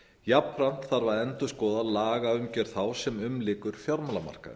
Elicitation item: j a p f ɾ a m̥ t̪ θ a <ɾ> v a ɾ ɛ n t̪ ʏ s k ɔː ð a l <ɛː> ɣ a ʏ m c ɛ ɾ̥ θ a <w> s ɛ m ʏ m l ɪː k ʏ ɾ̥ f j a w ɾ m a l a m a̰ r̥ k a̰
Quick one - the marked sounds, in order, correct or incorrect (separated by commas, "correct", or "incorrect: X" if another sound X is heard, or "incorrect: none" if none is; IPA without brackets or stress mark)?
correct, incorrect: aː, correct